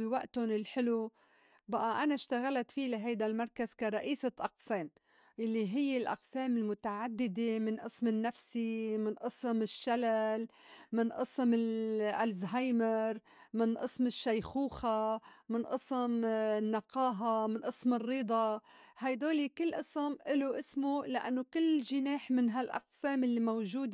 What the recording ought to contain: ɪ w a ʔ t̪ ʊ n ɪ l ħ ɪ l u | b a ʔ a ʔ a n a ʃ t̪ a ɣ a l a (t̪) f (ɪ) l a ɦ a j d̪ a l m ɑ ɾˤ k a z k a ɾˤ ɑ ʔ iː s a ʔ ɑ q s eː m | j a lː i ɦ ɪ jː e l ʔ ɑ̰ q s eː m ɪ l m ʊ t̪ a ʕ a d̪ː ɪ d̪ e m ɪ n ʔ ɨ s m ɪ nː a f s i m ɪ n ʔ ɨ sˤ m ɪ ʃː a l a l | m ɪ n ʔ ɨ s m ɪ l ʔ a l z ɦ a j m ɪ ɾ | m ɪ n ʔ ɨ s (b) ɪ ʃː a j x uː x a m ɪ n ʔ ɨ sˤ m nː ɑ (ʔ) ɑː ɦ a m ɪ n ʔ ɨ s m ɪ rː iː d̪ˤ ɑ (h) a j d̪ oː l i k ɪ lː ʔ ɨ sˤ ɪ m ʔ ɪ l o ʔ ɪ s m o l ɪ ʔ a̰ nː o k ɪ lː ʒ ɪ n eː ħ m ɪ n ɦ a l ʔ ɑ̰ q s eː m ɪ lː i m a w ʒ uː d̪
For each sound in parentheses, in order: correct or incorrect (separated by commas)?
correct, incorrect, incorrect, incorrect, correct